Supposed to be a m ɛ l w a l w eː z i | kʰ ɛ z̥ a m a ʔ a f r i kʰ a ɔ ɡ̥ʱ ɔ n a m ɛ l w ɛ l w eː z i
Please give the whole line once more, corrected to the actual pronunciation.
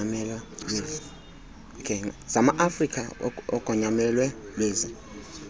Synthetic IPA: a m ɛ l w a l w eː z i | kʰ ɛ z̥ a m a ʔ a f r i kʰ a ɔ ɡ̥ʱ ɔ ɲ a m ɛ l w ɛ l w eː z i